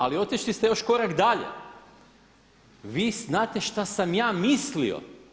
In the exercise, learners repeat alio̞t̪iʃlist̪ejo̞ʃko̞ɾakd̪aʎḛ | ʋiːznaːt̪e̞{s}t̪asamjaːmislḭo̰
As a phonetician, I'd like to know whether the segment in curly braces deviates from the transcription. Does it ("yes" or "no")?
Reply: yes